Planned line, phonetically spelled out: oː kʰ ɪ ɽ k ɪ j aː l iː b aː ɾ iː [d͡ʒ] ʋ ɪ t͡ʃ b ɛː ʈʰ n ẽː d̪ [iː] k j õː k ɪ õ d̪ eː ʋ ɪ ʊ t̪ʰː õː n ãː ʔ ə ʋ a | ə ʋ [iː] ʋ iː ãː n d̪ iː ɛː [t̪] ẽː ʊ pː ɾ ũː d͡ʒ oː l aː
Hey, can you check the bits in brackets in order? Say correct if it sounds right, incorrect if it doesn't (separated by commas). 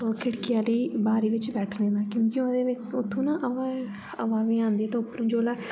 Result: incorrect, incorrect, incorrect, correct